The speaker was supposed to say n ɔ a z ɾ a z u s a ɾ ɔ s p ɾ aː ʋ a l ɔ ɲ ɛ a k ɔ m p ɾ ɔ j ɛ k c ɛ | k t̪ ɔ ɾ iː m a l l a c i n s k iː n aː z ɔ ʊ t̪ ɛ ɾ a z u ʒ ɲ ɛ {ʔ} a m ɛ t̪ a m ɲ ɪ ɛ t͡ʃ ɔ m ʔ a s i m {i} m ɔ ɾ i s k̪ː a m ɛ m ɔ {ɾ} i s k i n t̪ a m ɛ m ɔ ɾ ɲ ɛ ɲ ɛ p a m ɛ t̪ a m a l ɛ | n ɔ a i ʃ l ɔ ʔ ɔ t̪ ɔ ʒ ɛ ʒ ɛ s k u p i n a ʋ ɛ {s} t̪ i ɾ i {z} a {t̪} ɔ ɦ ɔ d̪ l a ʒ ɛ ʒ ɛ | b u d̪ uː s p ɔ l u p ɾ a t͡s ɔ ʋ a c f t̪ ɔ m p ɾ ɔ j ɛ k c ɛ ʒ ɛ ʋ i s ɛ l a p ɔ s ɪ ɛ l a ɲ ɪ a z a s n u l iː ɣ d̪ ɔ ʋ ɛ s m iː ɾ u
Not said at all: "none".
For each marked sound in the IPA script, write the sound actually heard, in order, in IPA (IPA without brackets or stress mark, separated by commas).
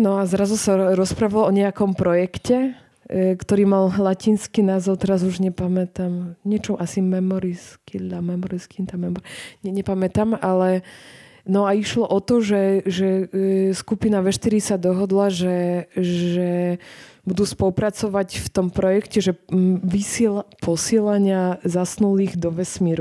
p, ɛ, ɾ, ʃ, s, d̪